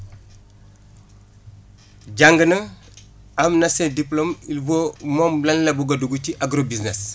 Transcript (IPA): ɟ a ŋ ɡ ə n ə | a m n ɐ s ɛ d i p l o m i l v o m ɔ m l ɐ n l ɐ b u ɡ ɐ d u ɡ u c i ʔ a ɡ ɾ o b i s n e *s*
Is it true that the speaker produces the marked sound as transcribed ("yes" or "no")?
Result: yes